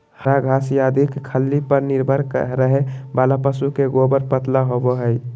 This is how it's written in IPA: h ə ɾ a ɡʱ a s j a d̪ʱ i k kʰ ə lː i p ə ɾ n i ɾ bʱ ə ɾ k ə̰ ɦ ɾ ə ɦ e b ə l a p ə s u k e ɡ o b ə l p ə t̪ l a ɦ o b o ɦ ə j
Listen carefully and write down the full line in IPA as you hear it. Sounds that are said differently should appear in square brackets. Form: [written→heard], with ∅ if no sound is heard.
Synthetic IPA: h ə ɾ a ɡʱ a s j a d̪ʱ i k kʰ ə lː i p ə ɾ n i ɾ bʱ ə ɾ k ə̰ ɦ ɾ ə ɦ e b [ə→a] l a p ə s u k e ɡ o b ə [l→ɾ] p ə t̪ l a ɦ o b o ɦ ə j